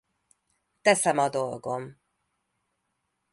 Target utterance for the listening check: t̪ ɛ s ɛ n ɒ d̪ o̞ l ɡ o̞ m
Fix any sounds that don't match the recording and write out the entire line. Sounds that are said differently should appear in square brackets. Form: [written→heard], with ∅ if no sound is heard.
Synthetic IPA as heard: t̪ ɛ s ɛ [n→m] ɒ d̪ o̞ l ɡ o̞ m